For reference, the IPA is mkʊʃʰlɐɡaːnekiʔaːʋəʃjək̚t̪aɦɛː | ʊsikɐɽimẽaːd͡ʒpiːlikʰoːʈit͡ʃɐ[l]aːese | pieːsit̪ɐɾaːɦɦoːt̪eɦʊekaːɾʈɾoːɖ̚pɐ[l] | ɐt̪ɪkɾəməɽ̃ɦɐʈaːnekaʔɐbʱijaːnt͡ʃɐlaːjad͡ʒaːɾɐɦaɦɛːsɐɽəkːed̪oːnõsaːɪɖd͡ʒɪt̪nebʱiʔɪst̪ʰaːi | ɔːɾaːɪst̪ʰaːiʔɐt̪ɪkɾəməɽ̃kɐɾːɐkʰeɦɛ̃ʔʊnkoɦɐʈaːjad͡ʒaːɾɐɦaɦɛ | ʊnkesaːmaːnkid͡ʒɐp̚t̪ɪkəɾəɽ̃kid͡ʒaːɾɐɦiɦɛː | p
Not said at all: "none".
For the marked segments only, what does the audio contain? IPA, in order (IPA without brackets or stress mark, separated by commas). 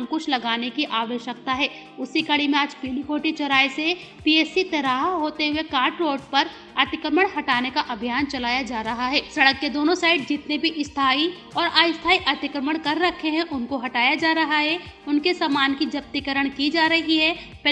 ɾ, ɾ